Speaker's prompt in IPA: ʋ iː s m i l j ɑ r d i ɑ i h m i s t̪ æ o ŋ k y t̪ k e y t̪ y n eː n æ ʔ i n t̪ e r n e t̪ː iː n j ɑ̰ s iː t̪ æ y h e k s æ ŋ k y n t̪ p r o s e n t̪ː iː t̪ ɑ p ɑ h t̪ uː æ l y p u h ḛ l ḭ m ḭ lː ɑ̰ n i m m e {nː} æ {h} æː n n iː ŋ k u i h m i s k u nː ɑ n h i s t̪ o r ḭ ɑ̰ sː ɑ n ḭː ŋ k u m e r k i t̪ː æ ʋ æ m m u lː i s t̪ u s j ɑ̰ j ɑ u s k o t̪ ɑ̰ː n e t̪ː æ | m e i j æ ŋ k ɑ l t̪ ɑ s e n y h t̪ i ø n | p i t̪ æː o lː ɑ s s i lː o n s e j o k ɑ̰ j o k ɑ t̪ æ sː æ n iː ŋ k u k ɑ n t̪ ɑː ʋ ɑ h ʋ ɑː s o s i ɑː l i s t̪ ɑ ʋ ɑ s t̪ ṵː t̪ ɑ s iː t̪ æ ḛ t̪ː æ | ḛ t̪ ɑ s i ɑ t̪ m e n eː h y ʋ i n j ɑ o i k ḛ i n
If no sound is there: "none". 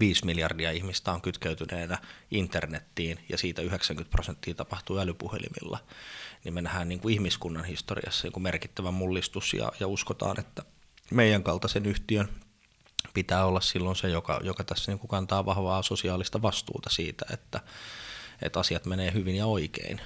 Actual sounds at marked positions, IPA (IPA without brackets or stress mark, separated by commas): n, h